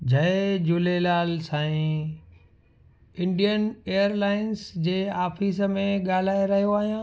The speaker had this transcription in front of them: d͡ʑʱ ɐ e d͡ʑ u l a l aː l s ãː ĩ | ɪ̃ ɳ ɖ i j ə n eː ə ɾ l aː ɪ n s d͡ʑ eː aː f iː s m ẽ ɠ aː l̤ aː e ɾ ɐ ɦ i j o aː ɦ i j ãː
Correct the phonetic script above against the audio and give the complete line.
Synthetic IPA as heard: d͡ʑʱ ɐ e d͡ʑ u l e l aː l s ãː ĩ | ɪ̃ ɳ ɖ i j ə n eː ə ɾ l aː ɪ n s d͡ʑ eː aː f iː s m ẽ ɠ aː l̤ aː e ɾ ɐ ɦ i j o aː ɦ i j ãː